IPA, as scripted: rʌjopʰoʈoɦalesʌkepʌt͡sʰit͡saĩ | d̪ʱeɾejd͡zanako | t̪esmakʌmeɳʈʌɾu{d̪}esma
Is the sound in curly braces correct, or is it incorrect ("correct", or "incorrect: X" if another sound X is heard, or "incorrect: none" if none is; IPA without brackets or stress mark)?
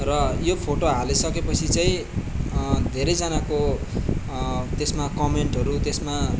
incorrect: t̪